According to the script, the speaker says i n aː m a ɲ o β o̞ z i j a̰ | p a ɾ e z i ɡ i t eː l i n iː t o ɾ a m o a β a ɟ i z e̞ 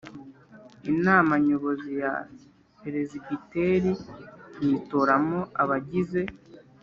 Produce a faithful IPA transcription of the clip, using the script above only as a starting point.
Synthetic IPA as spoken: i n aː m a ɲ o β o̞ z i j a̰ | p e ɾ e z i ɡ i t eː ɾ i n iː t o ɾ a m o a β a ɟ i z e̞